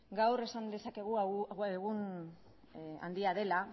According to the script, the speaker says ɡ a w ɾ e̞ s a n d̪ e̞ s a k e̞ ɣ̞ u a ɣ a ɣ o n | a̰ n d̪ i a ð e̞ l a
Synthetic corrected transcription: ɡ a w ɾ e̞ s a n d̪ e̞ s a k e̞ ɣ̞ u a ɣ e ɣ u n | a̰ n d̪ i a ð e̞ l a